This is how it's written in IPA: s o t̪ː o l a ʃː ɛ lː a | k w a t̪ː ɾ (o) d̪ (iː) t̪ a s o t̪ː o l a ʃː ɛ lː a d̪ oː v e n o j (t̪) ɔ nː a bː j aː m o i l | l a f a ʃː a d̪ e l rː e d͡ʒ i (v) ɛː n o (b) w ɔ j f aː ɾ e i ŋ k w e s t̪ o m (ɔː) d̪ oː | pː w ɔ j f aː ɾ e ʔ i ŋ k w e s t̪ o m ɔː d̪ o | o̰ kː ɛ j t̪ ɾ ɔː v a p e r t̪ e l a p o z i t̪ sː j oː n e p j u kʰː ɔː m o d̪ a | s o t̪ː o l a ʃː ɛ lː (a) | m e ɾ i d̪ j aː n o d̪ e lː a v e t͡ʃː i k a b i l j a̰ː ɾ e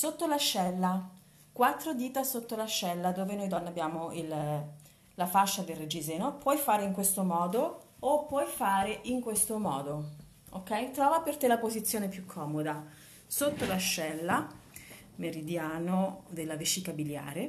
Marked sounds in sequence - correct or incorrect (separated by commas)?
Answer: correct, correct, incorrect, incorrect, incorrect, correct, correct